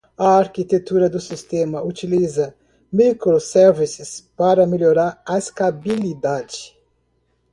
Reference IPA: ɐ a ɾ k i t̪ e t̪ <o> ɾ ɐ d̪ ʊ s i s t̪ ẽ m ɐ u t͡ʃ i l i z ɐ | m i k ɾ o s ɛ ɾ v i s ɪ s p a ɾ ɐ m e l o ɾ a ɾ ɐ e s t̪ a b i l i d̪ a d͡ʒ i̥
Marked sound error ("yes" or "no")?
yes